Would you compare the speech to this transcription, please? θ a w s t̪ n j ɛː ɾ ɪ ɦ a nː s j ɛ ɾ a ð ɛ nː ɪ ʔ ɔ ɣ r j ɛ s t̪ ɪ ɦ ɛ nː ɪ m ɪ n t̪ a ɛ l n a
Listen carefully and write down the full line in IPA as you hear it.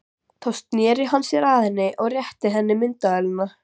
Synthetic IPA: θ a w s t̪ n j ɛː ɾ ɪ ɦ a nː s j ɛ ɾ a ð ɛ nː ɪ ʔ ɔ ɣ r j ɛ h t̪ ɪ ɦ ɛ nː ɪ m ɪ n t̪ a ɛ l n a